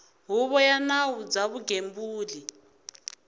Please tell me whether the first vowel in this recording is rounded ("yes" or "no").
yes